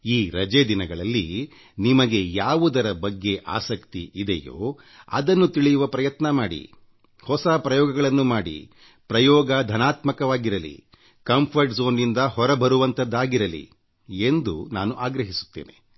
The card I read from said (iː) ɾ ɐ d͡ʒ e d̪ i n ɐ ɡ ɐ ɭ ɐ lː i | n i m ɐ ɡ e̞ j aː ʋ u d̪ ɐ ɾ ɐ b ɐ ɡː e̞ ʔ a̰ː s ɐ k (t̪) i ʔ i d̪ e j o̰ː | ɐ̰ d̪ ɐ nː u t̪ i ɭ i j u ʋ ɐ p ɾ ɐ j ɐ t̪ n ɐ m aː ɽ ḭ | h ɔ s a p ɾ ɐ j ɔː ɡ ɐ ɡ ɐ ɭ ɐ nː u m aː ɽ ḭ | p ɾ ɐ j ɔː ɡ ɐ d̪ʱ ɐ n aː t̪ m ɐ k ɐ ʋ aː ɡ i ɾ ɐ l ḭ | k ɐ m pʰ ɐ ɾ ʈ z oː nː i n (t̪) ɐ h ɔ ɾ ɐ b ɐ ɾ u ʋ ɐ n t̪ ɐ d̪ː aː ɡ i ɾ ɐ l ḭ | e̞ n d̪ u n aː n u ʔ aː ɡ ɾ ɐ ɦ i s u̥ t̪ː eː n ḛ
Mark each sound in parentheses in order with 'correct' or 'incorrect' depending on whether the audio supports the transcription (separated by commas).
correct, correct, incorrect